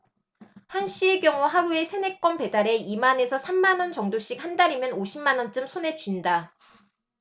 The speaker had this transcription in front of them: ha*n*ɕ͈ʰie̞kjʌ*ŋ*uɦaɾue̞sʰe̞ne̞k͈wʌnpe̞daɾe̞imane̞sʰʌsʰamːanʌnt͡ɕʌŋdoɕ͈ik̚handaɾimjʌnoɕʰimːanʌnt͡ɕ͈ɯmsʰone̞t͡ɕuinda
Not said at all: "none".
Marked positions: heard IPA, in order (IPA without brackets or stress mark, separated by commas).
n, ŋ